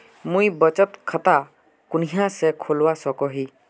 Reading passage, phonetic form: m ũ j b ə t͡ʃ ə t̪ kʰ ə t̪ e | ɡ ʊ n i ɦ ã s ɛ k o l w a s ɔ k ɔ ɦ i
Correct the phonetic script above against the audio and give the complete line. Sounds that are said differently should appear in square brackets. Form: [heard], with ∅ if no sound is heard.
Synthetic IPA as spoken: m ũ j b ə t͡ʃ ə t̪ kʰ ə t̪ [a] | [k] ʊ n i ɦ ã s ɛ [kʰ] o l w a s ɔ k ɔ ɦ i